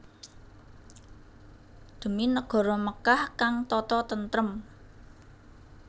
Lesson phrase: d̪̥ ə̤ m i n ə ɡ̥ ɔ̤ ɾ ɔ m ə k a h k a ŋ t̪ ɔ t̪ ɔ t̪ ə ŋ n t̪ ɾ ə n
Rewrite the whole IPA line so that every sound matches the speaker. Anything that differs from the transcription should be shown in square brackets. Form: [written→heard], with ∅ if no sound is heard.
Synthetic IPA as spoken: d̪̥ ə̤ m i n ə ɡ̥ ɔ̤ ɾ ɔ m ə k a h k a ŋ t̪ ɔ t̪ ɔ t̪ ə [ŋ→∅] n t̪ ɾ ə [n→m]